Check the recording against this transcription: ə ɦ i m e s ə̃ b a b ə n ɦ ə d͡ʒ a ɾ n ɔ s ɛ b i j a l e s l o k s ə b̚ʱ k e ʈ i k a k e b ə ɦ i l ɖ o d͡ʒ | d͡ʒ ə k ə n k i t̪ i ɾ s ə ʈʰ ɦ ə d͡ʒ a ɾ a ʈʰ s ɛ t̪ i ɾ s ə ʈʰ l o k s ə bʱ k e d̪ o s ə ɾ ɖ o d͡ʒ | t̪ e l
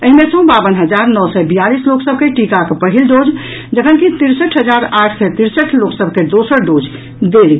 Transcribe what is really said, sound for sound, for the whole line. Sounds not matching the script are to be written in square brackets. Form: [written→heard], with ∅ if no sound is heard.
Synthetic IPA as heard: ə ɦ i m e s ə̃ b a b ə n ɦ ə d͡ʒ a ɾ n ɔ s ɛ b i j a l [e→i] s l o k s ə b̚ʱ k e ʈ i k a k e [b→p] ə ɦ i l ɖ o d͡ʒ | d͡ʒ ə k ə n k i t̪ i ɾ s ə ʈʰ ɦ ə d͡ʒ a ɾ a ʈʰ s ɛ t̪ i ɾ s ə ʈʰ l o k s ə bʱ k e d̪ o s ə ɾ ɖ o d͡ʒ | [t̪→d̪] e l